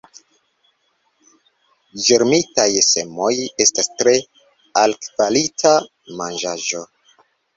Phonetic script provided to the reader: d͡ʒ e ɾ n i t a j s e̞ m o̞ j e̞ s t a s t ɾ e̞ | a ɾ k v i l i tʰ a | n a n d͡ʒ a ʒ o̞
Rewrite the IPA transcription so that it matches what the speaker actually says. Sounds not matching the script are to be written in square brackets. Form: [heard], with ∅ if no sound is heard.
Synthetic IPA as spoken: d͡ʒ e ɾ [m] i t a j s e̞ m o̞ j e̞ s t a s t ɾ e̞ | a [l] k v [a] l i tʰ a | [m] a n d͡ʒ a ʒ o̞